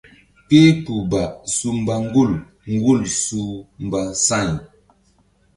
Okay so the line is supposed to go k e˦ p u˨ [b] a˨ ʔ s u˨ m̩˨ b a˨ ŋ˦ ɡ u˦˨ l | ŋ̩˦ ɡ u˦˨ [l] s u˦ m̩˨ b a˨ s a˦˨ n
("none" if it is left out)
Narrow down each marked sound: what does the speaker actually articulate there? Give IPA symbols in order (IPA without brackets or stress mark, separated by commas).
b, l